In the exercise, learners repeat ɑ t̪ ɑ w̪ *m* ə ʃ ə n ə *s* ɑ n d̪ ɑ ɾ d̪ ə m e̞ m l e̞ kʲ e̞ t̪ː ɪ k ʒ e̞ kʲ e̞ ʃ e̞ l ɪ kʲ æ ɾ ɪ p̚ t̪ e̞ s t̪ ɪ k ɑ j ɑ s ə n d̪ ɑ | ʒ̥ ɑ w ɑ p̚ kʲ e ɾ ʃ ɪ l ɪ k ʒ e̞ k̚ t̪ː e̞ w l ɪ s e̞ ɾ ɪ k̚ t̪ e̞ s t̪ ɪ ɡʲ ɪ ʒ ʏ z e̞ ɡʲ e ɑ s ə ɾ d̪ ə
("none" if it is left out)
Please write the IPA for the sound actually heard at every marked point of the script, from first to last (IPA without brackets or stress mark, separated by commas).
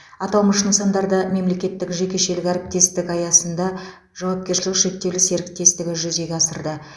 m, s